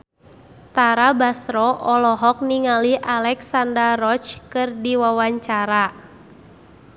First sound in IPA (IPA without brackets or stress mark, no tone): t̪